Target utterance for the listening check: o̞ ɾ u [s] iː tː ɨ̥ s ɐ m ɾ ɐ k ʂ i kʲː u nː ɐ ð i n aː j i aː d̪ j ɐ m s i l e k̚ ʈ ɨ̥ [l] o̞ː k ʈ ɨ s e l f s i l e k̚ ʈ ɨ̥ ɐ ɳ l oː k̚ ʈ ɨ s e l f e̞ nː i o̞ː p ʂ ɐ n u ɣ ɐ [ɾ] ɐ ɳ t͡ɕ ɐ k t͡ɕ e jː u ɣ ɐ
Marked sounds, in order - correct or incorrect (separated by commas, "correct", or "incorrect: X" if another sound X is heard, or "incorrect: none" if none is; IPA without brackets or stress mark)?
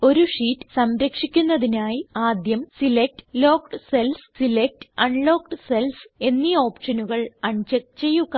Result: incorrect: ʂ, correct, incorrect: ɭ